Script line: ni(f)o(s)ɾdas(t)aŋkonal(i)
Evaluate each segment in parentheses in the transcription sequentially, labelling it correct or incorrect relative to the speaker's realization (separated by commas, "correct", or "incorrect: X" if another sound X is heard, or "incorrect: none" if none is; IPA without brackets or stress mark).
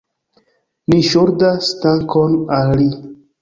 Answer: incorrect: ʃ, incorrect: none, correct, correct